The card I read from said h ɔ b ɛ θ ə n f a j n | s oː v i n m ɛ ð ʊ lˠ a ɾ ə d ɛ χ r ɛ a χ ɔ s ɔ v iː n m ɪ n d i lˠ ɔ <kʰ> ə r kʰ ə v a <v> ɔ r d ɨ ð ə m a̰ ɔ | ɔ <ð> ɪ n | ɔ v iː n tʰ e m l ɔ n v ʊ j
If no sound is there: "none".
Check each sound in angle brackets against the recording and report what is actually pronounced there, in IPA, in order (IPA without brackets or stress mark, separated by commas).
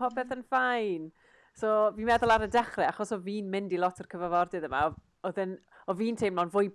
tʰ, v, ð